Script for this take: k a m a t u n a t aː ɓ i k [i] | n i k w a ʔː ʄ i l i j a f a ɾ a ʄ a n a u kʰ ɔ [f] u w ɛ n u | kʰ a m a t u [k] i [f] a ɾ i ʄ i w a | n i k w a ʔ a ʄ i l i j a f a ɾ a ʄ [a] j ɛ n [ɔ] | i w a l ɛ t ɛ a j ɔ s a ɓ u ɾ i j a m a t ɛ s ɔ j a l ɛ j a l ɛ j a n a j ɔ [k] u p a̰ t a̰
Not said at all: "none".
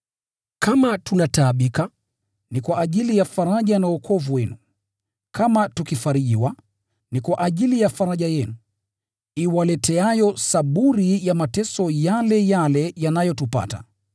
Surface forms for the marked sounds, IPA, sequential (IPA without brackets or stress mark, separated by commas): a, v, k, f, a, u, t